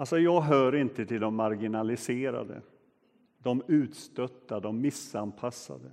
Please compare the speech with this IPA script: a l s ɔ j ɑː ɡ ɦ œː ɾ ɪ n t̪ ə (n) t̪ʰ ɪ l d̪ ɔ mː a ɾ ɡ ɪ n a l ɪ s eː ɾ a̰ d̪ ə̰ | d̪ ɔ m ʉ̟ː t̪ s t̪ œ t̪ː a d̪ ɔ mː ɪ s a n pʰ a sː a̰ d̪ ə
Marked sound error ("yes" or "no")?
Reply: yes